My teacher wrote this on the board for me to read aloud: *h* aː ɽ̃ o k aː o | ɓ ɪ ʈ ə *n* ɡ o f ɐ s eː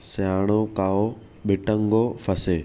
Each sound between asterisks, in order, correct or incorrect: incorrect: s, incorrect: ŋ

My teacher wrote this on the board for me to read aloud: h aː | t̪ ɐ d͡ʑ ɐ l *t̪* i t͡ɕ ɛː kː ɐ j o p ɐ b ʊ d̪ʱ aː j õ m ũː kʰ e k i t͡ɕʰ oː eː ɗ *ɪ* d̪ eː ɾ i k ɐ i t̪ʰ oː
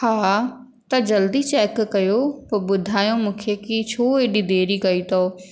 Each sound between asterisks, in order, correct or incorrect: incorrect: d̪, incorrect: i

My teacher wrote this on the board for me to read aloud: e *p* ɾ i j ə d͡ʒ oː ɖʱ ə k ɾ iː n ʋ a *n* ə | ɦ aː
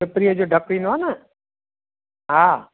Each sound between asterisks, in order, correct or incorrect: correct, correct

